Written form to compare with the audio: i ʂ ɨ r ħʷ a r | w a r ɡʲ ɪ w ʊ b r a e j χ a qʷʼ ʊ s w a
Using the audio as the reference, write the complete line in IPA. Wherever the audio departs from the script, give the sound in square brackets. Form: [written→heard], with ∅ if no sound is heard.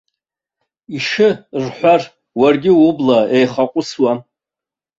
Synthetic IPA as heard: i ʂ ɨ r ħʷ a r | w a r ɡʲ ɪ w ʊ b [r→l] a e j χ a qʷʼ ʊ s w a